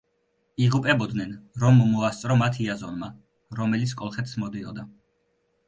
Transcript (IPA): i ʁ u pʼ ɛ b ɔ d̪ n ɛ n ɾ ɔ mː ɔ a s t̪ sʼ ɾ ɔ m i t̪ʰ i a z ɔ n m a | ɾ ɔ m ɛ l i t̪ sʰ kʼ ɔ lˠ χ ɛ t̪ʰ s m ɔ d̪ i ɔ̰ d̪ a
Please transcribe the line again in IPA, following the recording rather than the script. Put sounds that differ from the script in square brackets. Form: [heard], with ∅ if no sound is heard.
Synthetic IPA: i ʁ u pʼ ɛ b ɔ d̪ n ɛ n ɾ ɔ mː ɔ a s t̪ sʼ ɾ ɔ m [a] t̪ʰ i a z ɔ n m a | ɾ ɔ m ɛ l i t̪ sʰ kʼ ɔ lˠ χ ɛ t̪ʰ s m ɔ d̪ i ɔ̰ d̪ a